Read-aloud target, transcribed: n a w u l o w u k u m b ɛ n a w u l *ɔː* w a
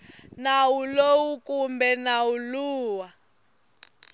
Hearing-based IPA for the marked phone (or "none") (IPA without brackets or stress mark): uː